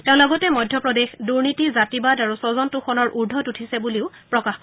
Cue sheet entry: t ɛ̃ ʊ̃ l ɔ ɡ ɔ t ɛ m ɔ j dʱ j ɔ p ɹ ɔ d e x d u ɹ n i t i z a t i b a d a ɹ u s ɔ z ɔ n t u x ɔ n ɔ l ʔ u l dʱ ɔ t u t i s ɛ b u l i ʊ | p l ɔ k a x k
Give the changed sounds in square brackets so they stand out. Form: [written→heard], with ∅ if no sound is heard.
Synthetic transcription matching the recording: t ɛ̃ ʊ̃ l ɔ ɡ ɔ t ɛ m ɔ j dʱ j ɔ p ɹ ɔ d e x d u ɹ n i t i z a t i b a d a ɹ u s ɔ z ɔ n t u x ɔ n ɔ [l→ɹ] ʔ u [l→ɹ] dʱ ɔ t u [t→tʰ] i s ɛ b u l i ʊ | p [l→ɹ] ɔ k a x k